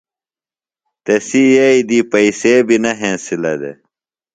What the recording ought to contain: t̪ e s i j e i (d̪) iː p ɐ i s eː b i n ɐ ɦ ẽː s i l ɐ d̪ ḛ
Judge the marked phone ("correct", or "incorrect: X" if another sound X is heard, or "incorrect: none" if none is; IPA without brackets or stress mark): correct